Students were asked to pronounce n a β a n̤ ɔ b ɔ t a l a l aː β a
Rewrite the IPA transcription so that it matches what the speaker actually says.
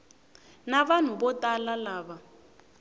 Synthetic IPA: n a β a n̤ u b ɔ t a l a l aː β a